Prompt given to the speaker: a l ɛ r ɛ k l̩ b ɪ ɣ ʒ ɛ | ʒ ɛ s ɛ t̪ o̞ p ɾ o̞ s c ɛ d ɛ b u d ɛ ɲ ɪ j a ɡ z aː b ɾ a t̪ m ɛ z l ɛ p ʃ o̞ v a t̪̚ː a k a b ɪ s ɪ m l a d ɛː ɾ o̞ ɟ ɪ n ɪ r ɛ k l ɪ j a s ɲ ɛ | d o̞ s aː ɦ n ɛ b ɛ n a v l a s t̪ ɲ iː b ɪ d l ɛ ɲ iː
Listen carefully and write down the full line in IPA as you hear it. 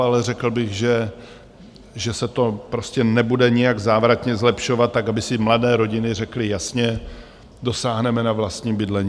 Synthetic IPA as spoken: a l ɛ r ɛ k l̩ b ɪ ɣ ʒ ɛ | ʒ ɛ s ɛ t̪ o̞ p ɾ o̞ s c ɛ n ɛ b u d ɛ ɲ ɪ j a ɡ z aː v ɾ a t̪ ɲ ɛ z l ɛ p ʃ o̞ v a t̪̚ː a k a b ɪ s ɪ m l a d ɛː ɾ o̞ ɟ ɪ n ɪ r ɛ k l ɪ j a s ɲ ɛ | d o̞ s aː ɦ n ɛ m ɛ n a v l a s t̪ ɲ iː b ɪ d l ɛ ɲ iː